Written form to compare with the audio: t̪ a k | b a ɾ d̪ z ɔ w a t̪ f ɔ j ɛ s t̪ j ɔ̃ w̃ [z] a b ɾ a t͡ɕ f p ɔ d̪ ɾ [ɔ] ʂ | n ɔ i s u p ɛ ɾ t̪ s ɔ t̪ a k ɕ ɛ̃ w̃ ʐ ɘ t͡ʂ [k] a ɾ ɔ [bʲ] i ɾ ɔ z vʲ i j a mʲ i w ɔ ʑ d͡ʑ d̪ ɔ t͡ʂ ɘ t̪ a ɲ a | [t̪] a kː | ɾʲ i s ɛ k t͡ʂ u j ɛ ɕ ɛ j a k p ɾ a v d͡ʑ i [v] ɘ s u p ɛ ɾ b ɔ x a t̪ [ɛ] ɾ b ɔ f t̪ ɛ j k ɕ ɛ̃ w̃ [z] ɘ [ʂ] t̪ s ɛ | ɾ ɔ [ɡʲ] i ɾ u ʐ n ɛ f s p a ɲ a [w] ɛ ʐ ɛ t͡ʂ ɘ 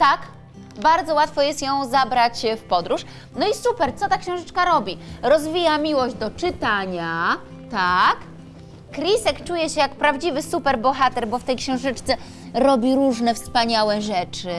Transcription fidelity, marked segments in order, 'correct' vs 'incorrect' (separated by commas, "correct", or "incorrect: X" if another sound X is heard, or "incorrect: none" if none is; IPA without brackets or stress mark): correct, incorrect: u, correct, correct, correct, correct, correct, incorrect: ʐ, incorrect: t͡ʂ, incorrect: bʲ, correct